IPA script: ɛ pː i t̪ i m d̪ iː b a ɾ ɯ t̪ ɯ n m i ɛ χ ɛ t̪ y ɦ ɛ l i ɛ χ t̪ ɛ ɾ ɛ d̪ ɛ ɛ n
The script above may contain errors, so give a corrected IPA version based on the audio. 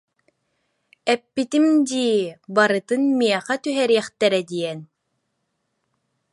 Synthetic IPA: ɛ pː i t̪ i m d̪ iː b a ɾ ɯ t̪ ɯ n m i ɛ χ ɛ t̪ y ɦ ɛ ɾ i ɛ χ t̪ ɛ ɾ ɛ d̪ i ɛ n